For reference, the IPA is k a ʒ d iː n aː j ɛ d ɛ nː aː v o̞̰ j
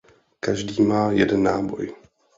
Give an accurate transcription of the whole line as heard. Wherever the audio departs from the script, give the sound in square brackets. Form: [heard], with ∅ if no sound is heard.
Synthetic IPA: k a ʒ d iː [m] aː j ɛ d ɛ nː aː [b] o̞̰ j